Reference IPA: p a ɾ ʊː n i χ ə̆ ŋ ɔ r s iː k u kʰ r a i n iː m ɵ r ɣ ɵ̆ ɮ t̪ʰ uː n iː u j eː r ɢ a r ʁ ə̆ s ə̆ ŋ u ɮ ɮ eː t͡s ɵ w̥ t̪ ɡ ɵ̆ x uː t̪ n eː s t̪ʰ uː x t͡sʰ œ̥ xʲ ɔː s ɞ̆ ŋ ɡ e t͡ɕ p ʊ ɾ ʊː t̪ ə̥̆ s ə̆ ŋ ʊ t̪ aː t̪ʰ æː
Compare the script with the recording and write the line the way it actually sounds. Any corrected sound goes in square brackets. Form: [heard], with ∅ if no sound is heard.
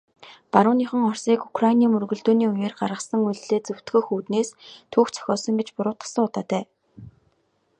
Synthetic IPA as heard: p a ɾ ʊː n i χ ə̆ ŋ ɔ r s iː k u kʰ r a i n iː m ɵ r ɣ ɵ̆ ɮ [t̪] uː n iː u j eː r ɢ a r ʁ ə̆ s ə̆ ŋ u ɮ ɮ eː t͡s ɵ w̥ t̪ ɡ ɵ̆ x uː t̪ n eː s t̪ʰ uː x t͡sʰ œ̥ xʲ ɔː s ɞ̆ ŋ ɡ e t͡ɕ p ʊ ɾ ʊː t̪ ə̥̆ s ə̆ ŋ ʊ t̪ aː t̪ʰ æː

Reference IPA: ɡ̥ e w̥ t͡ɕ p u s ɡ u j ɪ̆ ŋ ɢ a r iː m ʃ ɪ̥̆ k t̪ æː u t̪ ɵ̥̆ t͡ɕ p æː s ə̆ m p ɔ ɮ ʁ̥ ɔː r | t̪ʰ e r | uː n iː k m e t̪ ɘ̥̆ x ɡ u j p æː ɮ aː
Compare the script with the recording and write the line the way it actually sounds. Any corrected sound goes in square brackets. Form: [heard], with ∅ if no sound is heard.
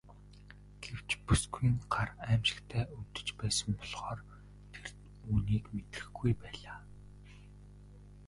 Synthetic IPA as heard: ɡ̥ e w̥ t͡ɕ p u s ɡ u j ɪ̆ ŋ ɢ a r [æː] m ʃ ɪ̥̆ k [t̪ʰ] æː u t̪ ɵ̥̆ t͡ɕ p æː s ə̆ m p ɔ ɮ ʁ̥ ɔː r | t̪ʰ e r | uː n iː k m e t̪ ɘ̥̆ x ɡ u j p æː ɮ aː

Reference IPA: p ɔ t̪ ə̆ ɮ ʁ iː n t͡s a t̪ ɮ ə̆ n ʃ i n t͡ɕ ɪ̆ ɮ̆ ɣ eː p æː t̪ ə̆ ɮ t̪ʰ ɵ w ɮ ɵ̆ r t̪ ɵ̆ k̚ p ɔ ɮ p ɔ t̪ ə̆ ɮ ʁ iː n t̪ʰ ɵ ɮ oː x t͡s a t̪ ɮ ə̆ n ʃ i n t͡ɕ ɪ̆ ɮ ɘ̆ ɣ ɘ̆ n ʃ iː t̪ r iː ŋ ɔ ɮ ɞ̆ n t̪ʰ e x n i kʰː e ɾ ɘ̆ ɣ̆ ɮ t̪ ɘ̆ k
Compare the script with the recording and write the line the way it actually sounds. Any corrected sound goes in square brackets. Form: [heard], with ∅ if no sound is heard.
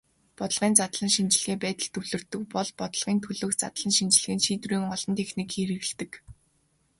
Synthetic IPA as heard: p ɔ t̪ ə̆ ɮ ʁ iː n t͡s a t̪ ɮ ə̆ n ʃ i n t͡ɕ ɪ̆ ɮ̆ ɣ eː p æː t̪ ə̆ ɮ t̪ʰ ɵ w ɮ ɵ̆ r t̪ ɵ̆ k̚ p ɔ ɮ p ɔ t̪ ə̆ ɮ ʁ iː n t̪ʰ ɵ ɮ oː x t͡s a t̪ ɮ ə̆ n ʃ i n t͡ɕ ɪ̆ ɮ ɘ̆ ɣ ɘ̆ n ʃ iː t̪ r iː ŋ ɔ ɮ ɞ̆ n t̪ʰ e x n i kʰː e ɾ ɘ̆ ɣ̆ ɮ t̪ ɘ̆ k

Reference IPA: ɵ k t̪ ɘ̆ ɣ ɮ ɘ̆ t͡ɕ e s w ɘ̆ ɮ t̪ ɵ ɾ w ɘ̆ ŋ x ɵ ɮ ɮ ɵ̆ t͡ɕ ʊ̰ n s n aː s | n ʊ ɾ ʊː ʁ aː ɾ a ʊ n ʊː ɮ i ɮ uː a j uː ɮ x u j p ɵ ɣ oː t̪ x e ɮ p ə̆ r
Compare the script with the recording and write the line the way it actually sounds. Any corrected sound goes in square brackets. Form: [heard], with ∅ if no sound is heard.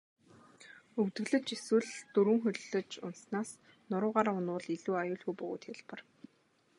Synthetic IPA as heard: ɵ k t̪ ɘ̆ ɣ ɮ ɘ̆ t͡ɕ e s w ɘ̆ ɮ t̪ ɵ ɾ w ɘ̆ ŋ x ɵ ɮ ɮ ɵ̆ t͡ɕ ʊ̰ n s n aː s | n ʊ ɾ ʊː ʁ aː ɾ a ʊ n ʊː ɮ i ɮ uː a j [ʊː] ɮ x u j p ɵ ɣ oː t̪ x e ɮ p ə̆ r

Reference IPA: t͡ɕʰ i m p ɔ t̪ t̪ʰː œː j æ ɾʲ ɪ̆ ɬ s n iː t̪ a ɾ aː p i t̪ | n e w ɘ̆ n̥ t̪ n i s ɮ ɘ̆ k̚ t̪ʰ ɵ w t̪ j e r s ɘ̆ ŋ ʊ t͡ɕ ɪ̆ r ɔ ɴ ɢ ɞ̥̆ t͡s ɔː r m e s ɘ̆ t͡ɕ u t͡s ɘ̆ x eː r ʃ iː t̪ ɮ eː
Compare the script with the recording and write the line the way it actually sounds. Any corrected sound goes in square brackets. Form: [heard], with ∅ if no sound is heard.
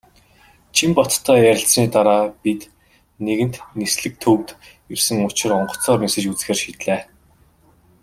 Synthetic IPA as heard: t͡ɕʰ i m p ɔ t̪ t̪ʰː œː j æ ɾʲ ɪ̆ ɬ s n iː t̪ a ɾ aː p i t̪ | n e [ɣ] ɘ̆ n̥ t̪ n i s ɮ ɘ̆ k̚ t̪ʰ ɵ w t̪ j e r s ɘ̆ ŋ ʊ t͡ɕ ɪ̆ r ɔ ɴ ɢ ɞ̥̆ t͡s ɔː r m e s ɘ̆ t͡ɕ u t͡s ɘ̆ x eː r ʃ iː t̪ ɮ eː

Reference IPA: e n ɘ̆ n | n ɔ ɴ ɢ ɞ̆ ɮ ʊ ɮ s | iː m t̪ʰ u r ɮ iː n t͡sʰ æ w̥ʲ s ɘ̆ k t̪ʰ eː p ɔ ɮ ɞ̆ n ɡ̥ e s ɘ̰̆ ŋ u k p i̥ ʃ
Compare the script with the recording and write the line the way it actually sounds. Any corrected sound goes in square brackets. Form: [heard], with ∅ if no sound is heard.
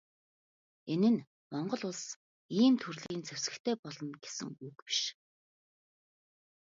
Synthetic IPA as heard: e n ɘ̆ n | [m] ɔ ɴ ɢ ɞ̆ ɮ ʊ ɮ s | iː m t̪ʰ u r ɮ iː n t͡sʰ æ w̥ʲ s ɘ̆ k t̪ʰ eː p ɔ ɮ ɞ̆ n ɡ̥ e s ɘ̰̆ ŋ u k p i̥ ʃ

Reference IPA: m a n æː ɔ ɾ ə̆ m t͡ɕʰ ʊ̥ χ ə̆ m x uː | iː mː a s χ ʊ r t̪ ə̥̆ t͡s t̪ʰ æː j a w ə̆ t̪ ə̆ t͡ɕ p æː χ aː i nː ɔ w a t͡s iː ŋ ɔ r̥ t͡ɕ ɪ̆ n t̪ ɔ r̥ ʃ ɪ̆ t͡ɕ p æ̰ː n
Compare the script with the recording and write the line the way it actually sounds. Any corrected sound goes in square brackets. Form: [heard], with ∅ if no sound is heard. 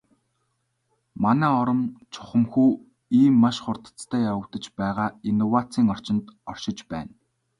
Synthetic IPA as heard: m a n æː ɔ ɾ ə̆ m t͡ɕʰ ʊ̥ χ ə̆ m x uː | iː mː a [ʃ] χ ʊ r t̪ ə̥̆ t͡s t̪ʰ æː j a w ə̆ t̪ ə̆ t͡ɕ p æː [ʁ] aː i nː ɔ w a t͡s iː ŋ ɔ r̥ t͡ɕ ɪ̆ n t̪ ɔ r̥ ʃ ɪ̆ t͡ɕ p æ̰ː n

